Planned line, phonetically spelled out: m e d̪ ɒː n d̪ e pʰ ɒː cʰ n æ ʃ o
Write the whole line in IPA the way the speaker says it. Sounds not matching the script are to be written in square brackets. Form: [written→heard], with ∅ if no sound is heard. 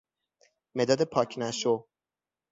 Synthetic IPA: m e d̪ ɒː [n→∅] d̪ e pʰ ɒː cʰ n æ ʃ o